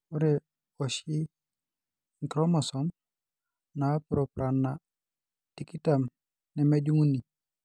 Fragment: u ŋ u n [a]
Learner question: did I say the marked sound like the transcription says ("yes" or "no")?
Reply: no